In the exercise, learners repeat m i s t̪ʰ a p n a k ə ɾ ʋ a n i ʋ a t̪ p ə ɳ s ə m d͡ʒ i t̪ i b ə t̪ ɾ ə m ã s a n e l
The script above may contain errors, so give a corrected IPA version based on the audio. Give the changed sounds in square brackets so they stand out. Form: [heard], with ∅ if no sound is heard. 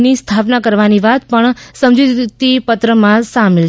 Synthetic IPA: [n] i s t̪ʰ a p n a k ə ɾ ʋ a n i ʋ a t̪ p ə ɳ s ə m d͡ʒ i t̪ i [p] ə t̪ ɾ ə m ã s a [m] e l